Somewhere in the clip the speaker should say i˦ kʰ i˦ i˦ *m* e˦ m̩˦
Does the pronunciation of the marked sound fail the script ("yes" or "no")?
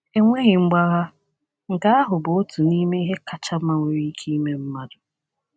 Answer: no